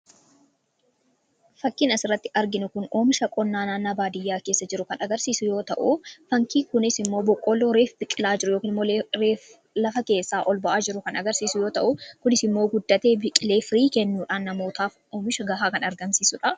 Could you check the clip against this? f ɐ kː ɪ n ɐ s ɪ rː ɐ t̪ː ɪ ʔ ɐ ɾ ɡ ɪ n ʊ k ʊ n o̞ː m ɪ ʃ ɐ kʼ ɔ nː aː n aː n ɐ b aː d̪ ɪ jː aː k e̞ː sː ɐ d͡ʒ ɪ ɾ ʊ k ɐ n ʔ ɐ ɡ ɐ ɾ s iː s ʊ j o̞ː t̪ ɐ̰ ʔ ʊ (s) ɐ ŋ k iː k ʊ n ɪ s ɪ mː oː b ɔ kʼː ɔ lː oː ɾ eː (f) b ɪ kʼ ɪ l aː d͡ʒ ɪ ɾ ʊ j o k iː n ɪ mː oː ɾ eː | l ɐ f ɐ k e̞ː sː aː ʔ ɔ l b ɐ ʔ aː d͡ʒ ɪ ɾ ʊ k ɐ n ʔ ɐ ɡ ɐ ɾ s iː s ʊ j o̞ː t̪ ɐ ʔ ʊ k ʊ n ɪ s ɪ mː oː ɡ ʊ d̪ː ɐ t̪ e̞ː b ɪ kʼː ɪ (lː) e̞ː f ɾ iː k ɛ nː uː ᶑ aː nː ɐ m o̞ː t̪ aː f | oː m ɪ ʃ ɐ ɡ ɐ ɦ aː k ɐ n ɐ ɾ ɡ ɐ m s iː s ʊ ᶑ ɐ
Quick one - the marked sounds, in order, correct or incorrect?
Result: incorrect, correct, incorrect

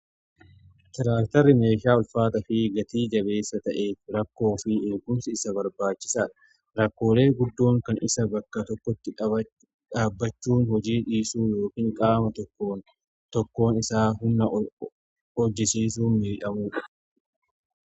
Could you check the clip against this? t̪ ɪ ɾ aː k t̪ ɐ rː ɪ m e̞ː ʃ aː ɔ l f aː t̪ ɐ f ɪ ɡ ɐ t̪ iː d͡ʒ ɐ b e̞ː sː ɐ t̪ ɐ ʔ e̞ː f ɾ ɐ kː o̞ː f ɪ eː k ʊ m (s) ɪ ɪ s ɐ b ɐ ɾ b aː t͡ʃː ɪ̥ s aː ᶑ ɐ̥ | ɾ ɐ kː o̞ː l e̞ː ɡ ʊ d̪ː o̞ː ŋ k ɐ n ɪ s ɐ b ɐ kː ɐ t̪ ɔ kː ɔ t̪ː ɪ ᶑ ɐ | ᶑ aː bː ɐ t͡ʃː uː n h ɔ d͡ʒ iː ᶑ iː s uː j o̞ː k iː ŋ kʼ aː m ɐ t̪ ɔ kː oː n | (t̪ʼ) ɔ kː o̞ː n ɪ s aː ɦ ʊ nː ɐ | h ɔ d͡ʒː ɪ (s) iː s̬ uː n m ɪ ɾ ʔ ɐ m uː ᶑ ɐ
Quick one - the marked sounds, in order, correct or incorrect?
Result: correct, incorrect, correct

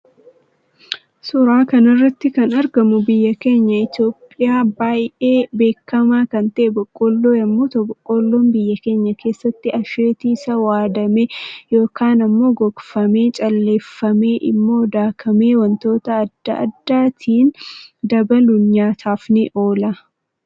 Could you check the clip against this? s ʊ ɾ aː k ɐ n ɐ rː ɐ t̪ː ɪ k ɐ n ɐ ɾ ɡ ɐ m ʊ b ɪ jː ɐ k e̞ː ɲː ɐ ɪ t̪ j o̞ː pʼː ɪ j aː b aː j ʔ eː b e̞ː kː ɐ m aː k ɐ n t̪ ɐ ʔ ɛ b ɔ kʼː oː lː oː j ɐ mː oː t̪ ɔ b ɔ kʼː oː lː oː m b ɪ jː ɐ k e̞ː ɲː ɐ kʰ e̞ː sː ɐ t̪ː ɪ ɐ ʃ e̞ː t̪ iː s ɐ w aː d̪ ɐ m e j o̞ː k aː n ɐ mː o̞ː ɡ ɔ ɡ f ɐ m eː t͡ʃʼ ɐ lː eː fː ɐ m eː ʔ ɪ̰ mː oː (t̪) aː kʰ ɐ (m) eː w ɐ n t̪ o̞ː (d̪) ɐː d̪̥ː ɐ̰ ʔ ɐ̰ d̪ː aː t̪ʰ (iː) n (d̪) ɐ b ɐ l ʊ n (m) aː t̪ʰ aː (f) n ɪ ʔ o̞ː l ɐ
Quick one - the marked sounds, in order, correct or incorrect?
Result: incorrect, correct, incorrect, correct, correct, incorrect, correct

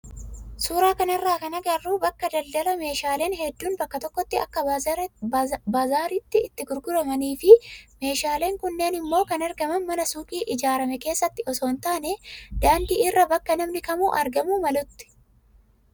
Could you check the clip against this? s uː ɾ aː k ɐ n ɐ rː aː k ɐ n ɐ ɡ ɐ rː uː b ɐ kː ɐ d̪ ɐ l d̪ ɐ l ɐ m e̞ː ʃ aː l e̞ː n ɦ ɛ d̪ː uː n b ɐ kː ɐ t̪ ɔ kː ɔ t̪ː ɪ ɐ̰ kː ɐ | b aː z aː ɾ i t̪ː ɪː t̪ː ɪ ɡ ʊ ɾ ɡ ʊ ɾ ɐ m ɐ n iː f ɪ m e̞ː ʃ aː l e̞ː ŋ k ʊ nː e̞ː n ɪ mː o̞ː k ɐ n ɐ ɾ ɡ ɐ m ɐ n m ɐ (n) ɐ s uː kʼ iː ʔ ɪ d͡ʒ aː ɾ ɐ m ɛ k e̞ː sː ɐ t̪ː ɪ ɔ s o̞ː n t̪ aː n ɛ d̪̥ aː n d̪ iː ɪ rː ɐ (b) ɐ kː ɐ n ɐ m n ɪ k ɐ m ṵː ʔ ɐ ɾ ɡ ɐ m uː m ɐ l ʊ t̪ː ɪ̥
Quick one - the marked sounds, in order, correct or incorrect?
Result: correct, correct

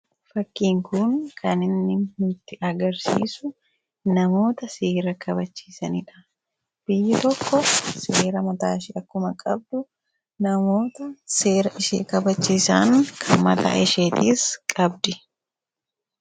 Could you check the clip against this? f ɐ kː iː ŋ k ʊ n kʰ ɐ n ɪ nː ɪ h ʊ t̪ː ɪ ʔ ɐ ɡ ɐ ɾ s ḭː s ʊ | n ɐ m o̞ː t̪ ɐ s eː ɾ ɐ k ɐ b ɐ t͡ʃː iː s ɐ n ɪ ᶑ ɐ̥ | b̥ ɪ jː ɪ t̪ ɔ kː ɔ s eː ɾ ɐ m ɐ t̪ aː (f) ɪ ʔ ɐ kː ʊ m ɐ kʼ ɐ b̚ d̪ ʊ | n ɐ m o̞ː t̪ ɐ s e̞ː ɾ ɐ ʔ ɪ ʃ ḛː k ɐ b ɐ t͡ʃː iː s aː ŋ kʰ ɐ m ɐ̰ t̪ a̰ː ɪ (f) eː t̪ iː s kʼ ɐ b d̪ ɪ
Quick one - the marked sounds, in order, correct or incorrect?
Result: incorrect, incorrect

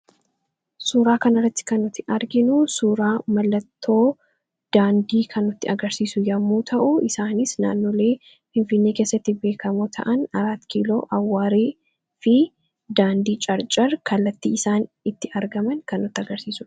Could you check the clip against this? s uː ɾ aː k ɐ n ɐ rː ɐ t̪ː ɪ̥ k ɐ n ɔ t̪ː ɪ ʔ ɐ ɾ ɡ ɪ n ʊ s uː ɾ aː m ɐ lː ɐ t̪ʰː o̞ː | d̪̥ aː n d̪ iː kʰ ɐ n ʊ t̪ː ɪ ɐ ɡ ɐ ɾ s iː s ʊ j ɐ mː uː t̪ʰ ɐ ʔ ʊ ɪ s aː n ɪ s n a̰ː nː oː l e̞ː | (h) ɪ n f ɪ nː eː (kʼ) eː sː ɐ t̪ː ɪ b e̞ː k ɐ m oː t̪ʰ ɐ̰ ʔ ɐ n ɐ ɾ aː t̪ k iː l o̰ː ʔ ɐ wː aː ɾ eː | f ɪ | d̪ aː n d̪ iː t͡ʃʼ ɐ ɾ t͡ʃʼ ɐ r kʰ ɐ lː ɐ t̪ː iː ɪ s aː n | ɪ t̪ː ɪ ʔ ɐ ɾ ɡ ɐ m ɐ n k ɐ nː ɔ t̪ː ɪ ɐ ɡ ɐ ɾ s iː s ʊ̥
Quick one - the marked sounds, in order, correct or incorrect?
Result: incorrect, incorrect

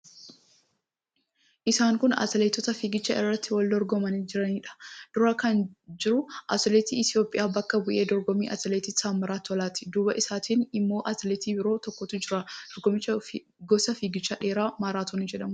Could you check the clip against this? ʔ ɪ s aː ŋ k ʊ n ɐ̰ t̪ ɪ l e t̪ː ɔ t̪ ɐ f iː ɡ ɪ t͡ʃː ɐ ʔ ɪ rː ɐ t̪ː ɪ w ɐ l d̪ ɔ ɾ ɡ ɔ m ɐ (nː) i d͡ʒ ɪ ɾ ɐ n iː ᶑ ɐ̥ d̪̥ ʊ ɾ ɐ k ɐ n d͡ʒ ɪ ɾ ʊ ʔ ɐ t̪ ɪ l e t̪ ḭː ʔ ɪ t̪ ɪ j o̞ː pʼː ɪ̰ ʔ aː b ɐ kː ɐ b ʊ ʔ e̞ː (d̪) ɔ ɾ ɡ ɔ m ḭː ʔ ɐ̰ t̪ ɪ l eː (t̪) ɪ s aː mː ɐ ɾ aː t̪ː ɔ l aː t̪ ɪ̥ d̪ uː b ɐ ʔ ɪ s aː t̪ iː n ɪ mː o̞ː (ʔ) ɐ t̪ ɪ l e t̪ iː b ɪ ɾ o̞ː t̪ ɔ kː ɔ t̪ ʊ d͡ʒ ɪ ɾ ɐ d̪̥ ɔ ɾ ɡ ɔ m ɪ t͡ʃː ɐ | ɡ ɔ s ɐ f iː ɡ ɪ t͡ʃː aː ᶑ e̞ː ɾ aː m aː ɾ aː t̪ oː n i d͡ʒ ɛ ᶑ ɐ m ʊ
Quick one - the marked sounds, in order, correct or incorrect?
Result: incorrect, correct, correct, correct

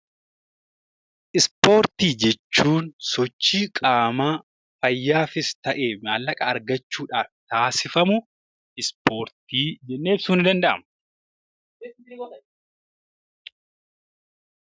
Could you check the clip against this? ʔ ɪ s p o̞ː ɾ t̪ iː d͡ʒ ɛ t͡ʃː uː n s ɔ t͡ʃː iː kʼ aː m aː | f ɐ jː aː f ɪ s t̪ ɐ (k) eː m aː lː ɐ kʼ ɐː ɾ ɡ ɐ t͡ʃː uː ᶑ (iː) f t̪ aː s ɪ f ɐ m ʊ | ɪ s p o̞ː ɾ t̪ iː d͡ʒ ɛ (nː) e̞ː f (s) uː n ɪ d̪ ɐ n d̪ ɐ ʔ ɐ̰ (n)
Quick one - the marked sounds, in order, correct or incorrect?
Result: incorrect, incorrect, correct, correct, incorrect

